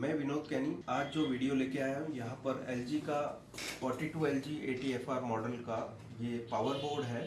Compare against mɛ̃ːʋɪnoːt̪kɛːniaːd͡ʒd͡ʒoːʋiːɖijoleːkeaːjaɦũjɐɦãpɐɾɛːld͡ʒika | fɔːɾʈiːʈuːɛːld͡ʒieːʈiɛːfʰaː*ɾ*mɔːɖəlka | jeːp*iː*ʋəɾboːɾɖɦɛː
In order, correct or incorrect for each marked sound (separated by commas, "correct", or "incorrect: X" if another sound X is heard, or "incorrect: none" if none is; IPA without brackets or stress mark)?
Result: correct, incorrect: aː